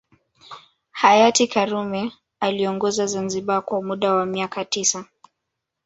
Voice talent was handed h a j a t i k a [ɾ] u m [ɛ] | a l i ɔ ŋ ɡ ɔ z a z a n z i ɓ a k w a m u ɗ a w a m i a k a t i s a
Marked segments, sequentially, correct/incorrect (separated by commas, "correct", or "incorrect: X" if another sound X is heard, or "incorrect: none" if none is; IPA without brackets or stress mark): correct, correct